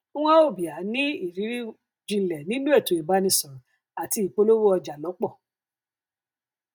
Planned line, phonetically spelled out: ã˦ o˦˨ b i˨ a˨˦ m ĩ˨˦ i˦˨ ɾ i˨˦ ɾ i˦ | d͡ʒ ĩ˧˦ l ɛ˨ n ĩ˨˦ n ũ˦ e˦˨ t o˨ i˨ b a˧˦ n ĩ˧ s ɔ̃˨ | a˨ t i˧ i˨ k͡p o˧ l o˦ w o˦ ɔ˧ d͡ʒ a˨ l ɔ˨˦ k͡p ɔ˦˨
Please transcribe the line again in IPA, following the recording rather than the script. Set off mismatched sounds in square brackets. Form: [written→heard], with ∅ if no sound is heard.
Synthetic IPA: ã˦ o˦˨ b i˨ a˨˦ [m→n] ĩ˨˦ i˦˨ ɾ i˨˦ ɾ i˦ | d͡ʒ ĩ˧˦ l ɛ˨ n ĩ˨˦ n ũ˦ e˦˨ t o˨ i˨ b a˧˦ n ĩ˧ s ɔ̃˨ | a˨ t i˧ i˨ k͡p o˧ l o˦ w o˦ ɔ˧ d͡ʒ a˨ l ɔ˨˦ k͡p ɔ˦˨